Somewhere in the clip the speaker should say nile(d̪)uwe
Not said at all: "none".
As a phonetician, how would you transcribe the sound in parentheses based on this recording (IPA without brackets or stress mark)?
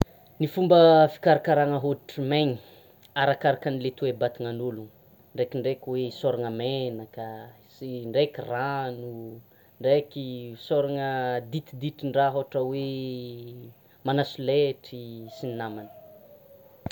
t̪